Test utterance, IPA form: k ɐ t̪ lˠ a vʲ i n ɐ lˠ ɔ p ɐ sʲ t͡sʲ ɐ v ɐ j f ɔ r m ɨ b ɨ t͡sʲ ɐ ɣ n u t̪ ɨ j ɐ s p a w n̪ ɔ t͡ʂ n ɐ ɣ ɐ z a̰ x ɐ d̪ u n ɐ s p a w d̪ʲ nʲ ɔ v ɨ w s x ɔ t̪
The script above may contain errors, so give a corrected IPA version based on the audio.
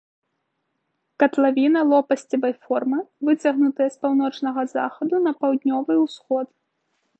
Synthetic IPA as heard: k ɐ t̪ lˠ a vʲ i n ɐ lˠ ɔ p ɐ sʲ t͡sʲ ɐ v ɐ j f ɔ r m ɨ v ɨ t͡sʲ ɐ ɣ n u t̪ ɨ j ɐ s p a w n̪ ɔ t͡ʂ n ɐ ɣ ɐ z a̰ x ɐ d̪ u n ɐ p a w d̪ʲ nʲ ɔ v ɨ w s x ɔ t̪